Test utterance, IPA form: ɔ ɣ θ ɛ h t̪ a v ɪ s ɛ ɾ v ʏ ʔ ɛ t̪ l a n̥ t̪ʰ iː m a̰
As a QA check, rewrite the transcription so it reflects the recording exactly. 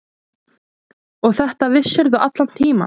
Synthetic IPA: ɔ ɣ θ ɛ h t̪ a v ɪ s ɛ ɾ ð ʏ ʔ a t̪ l a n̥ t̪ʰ iː m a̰